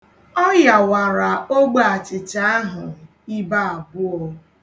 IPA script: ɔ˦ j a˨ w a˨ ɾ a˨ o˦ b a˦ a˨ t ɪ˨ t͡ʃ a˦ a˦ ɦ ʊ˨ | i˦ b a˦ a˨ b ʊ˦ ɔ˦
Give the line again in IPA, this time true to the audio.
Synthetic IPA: ɔ˦ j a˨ w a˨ ɾ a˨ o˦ ɡ͡b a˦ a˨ t͡ʃ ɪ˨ t͡ʃ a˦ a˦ ɦ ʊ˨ | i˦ b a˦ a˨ b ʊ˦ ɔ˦